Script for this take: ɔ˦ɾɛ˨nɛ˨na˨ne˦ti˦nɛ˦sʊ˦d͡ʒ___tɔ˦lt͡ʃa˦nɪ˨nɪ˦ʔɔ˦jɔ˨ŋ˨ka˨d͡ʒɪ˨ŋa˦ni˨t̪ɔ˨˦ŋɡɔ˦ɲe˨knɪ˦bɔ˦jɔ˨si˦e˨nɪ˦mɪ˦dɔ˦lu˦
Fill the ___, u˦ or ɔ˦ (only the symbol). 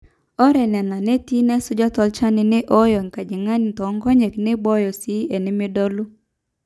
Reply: ɔ˦